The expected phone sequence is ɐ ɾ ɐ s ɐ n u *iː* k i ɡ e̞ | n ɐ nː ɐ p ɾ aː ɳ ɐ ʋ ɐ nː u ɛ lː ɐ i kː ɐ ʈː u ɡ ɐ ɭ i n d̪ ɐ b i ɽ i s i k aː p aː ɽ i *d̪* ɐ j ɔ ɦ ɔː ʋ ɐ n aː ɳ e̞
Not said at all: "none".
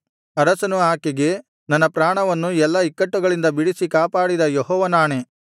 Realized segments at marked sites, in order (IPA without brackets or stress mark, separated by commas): aː, d̪